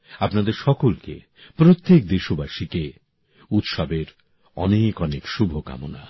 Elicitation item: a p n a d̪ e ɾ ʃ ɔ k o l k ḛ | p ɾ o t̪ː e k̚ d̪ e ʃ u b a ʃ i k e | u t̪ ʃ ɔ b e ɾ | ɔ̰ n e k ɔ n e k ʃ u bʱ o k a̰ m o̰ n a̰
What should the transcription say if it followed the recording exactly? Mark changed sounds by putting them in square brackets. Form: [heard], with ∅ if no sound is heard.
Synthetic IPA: a p n a d̪ e ɾ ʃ ɔ k o l k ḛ | p ɾ o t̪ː e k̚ d̪ e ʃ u b a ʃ i k e | u t̪ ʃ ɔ b e ɾ | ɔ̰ n e k ɔ n e k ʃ u bʱ o k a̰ m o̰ n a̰

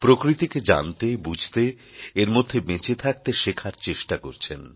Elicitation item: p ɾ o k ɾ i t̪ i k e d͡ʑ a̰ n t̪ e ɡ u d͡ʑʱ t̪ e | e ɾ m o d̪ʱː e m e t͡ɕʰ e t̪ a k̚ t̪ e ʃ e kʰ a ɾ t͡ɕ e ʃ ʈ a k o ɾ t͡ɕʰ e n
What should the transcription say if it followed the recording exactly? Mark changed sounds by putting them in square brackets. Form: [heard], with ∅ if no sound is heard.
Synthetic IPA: p ɾ o k ɾ i t̪ i k e d͡ʑ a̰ n t̪ e [b] u d͡ʑʱ t̪ e | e ɾ m o d̪ʱː e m e [t͡ɕ] e [t̪ʰ] a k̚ t̪ e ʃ e kʰ a ɾ t͡ɕ e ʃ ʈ a k o ɾ t͡ɕʰ e n

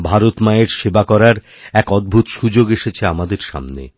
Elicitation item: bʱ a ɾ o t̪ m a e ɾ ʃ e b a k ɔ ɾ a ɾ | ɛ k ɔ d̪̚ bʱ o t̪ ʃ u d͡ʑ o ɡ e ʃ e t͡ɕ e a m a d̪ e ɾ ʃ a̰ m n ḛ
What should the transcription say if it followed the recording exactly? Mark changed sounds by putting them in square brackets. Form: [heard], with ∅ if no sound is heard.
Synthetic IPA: bʱ a ɾ o t̪ m a e ɾ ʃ e b a k ɔ ɾ a ɾ | ɛ k ɔ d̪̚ bʱ [u] t̪ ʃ u d͡ʑ o ɡ e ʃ e [t͡ɕʰ] e a m a d̪ e ɾ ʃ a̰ m n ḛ

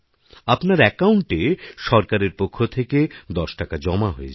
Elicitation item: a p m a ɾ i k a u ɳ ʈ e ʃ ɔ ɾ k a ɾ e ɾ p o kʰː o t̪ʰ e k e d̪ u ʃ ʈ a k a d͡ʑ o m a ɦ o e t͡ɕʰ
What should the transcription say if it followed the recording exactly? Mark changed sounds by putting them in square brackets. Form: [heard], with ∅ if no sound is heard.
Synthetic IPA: a p [n] a ɾ [ɛ] k a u ɳ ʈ e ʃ ɔ ɾ k a ɾ e ɾ p o kʰː o t̪ʰ e k e d̪ [ɔ] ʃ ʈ a k a d͡ʑ [ɔ] m a ɦ o e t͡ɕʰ

